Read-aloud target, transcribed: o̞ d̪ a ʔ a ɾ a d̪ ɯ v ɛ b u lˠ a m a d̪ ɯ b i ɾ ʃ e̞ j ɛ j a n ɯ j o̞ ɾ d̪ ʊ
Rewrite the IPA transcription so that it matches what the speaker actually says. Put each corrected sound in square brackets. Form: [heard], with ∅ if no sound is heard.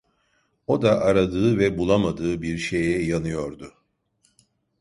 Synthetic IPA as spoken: o̞ d̪ a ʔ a ɾ a d̪ [ɯː] v ɛ b u lˠ a m a d̪ [ɯː] b i ɾ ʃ e̞ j ɛ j a n ɯ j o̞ ɾ d̪ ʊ